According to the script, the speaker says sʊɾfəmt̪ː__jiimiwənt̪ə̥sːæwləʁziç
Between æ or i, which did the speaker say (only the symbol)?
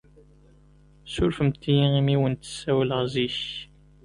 i